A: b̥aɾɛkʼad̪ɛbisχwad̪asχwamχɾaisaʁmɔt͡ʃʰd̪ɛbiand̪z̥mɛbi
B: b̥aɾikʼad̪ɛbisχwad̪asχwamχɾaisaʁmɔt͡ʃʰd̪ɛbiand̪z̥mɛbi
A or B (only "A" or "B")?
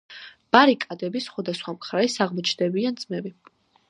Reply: B